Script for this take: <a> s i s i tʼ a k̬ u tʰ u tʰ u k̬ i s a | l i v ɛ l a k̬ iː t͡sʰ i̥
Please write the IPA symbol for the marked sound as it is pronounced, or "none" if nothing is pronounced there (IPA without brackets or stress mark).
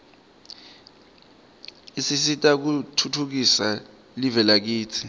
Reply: i